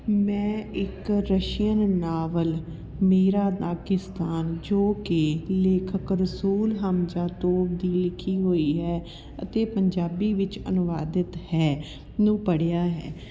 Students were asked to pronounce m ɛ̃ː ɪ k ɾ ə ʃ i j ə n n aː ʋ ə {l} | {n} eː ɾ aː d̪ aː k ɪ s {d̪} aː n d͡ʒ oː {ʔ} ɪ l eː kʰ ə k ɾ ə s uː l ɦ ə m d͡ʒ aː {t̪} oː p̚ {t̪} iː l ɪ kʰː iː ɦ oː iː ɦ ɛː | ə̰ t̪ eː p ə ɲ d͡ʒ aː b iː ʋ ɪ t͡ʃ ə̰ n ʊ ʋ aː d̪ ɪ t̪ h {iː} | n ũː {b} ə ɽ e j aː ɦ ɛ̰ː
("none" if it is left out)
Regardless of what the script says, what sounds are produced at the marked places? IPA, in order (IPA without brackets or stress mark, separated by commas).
l, m, t̪, k, t̪, d̪, ɛː, p